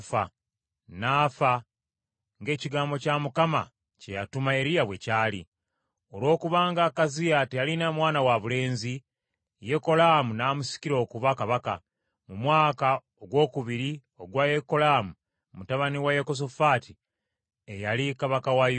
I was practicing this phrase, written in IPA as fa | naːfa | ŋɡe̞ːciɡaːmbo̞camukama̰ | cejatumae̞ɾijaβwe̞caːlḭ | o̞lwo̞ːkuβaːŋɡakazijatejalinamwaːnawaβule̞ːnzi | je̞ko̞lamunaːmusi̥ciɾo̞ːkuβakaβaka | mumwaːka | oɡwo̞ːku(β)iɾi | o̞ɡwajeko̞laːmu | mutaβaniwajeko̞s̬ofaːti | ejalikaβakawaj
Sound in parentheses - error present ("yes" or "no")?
no